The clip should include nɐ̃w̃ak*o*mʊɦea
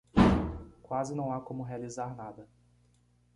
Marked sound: incorrect: õ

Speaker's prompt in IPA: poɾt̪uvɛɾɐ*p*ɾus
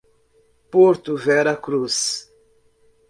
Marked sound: incorrect: k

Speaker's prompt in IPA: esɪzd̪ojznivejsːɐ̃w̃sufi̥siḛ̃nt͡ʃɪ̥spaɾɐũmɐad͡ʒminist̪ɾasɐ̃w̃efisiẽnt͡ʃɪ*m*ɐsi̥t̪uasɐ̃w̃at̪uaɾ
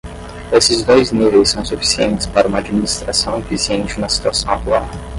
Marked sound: incorrect: n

